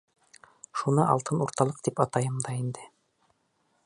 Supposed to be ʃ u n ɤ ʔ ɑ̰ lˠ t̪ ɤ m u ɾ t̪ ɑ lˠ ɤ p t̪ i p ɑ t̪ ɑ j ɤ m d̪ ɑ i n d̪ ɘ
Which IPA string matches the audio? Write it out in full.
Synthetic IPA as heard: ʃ u n ɤ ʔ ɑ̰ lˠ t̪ ɤ n u ɾ t̪ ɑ lˠ ɤ q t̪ i p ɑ t̪ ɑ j ɤ m d̪ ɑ i n d̪ ɘ